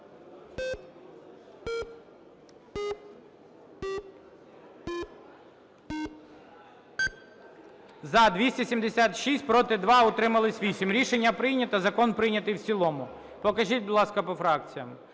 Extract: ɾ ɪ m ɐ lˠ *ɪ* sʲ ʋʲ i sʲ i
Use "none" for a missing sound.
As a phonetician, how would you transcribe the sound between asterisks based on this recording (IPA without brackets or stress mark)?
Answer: ɪ